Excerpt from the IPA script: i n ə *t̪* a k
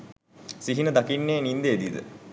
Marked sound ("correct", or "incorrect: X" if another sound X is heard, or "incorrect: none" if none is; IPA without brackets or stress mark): incorrect: d̪